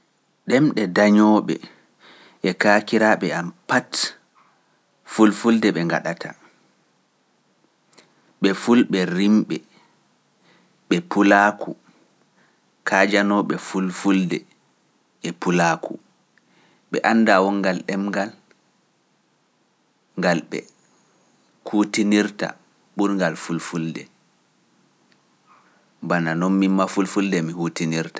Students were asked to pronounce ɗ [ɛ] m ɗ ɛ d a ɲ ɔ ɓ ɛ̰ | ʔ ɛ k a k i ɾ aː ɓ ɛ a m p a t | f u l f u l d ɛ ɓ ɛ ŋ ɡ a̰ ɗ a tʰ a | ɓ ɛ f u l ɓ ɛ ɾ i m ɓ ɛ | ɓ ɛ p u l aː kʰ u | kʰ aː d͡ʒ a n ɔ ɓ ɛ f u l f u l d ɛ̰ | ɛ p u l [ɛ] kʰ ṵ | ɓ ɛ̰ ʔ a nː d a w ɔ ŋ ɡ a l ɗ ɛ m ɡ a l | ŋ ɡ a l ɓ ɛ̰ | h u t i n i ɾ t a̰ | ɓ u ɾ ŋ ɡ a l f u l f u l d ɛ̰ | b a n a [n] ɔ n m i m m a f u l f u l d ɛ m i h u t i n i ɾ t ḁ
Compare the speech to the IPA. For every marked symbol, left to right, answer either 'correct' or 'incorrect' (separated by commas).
correct, incorrect, correct